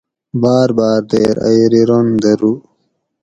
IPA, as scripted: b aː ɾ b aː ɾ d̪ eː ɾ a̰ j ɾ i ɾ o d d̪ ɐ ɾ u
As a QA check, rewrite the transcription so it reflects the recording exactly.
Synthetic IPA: b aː ɾ b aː ɾ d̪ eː ɾ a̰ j ɾ i ɾ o n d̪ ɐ ɾ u